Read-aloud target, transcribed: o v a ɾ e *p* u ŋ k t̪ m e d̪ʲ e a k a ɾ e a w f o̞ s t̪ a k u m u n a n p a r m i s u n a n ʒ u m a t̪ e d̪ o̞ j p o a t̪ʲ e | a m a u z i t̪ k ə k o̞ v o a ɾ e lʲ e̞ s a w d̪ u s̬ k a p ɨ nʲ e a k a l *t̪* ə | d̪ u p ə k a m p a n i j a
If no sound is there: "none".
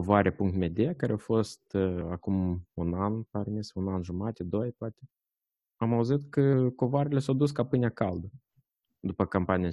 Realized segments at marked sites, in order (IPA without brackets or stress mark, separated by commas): p, d̪